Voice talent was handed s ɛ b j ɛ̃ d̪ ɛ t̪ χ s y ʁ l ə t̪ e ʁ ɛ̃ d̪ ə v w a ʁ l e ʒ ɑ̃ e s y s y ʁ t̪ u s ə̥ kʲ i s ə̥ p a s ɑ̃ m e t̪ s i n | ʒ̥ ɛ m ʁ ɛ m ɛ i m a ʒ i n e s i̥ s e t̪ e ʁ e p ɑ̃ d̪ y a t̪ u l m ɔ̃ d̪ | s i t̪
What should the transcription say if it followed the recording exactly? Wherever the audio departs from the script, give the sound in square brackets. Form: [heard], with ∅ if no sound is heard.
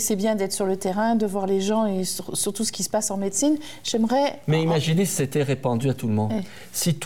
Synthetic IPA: s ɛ b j ɛ̃ d̪ ɛ t̪ χ s y ʁ l ə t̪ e ʁ ɛ̃ d̪ ə v w a ʁ l e ʒ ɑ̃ e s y s y ʁ t̪ u s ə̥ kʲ i s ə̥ p a s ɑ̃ m e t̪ s i n | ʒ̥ ɛ m ʁ ɛ m ɛ i m a ʒ i n e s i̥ s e t̪ [ɛ] ʁ e p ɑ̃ d̪ y a t̪ u l m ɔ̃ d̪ | s i t̪